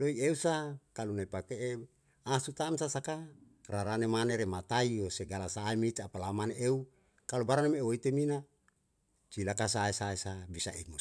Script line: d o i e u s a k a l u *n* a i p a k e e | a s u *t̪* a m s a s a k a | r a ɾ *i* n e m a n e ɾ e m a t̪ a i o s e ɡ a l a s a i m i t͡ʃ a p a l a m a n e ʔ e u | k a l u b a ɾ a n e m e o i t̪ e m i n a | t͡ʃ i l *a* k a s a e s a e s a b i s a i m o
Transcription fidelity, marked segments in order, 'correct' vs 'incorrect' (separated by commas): correct, correct, incorrect, correct